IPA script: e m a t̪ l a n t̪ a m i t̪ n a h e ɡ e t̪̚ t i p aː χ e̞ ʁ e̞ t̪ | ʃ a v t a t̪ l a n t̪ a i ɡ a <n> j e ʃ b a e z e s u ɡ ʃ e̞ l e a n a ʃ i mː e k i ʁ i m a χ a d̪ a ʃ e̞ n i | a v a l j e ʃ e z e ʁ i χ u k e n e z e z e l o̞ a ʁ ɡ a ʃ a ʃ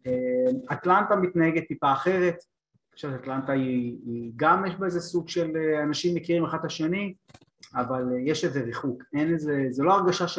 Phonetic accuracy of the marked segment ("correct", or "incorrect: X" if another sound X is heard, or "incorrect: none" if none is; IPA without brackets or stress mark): incorrect: m